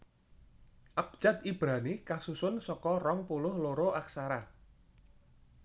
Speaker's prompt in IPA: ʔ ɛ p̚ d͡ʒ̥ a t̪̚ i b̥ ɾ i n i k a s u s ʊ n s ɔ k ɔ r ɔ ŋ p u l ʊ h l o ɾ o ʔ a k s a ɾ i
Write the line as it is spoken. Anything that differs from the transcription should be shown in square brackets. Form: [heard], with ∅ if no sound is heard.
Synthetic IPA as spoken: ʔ [a] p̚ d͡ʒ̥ a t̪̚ i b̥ ɾ [a] n i k a s u s ʊ n s ɔ k ɔ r ɔ ŋ p u l ʊ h l o ɾ o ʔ a k s a ɾ [a]